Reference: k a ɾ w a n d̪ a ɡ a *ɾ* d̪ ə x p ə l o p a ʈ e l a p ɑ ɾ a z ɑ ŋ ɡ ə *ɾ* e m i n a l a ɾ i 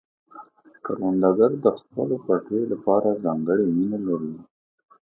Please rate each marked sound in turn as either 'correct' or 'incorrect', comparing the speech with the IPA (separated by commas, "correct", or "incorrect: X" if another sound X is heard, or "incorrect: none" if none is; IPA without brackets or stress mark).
correct, incorrect: ɽ